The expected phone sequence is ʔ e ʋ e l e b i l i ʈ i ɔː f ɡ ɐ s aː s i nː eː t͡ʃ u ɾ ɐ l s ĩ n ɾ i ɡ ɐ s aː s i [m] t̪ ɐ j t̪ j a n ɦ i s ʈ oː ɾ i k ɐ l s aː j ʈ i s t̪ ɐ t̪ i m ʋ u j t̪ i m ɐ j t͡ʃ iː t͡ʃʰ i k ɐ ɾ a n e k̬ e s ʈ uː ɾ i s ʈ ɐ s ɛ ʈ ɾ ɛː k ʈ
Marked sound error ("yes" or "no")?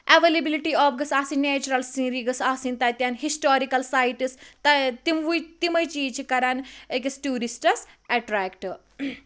yes